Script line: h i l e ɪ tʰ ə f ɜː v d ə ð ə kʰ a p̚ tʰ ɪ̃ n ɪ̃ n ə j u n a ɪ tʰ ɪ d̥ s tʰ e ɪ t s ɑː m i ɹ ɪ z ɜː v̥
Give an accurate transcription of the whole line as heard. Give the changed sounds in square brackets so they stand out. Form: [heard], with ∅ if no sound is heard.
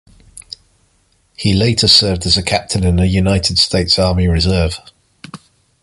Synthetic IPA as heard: h i l e ɪ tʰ ə [s] ɜː v d ə [z] ə kʰ a p̚ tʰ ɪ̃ n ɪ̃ n ə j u n a ɪ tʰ ɪ d̥ s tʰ e ɪ t s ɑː m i ɹ ɪ z ɜː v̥